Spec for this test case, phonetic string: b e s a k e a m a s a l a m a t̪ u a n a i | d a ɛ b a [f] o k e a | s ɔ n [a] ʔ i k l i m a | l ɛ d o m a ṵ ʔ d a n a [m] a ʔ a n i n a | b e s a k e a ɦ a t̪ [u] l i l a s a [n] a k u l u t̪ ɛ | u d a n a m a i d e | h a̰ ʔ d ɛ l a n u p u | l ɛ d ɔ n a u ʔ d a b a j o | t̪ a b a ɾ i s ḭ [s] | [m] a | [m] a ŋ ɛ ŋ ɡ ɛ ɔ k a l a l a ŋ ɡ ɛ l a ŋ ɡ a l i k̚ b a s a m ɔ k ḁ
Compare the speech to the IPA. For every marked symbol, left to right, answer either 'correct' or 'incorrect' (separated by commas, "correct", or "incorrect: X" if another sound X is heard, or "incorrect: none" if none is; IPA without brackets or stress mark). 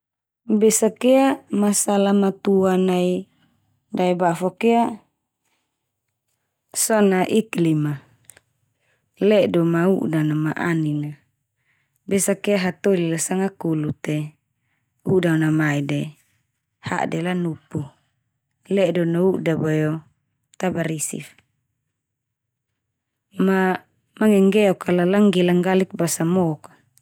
correct, correct, correct, incorrect: o, incorrect: ŋ, incorrect: f, correct, correct